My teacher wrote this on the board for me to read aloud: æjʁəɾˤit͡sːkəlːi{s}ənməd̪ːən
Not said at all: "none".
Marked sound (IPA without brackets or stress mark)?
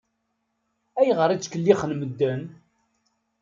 χ